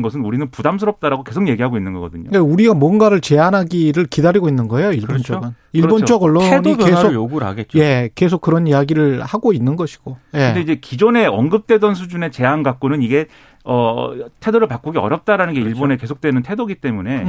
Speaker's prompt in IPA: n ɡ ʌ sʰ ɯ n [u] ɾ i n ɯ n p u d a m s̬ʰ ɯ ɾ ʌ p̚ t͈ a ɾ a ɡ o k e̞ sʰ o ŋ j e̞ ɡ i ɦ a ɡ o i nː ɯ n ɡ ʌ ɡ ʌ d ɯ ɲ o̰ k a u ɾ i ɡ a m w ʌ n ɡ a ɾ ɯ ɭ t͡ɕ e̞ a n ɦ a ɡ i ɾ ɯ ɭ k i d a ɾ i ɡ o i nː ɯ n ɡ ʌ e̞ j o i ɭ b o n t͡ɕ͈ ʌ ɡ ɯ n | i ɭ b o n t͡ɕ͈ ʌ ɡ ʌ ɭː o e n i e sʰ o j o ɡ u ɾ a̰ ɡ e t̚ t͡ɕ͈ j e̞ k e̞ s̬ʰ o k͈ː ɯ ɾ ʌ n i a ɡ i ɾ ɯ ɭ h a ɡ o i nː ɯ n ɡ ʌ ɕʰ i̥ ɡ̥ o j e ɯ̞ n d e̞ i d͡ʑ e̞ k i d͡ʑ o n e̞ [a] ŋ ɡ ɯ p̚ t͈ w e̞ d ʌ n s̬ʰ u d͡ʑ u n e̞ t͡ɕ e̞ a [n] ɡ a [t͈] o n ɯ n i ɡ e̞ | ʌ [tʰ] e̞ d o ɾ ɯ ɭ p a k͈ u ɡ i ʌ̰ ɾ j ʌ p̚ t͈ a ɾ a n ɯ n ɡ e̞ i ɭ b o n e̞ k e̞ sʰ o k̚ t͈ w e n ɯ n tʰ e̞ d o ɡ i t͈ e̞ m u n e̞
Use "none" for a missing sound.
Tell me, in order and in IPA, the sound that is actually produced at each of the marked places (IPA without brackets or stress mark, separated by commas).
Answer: u, ʌ, n, k͈, tʰ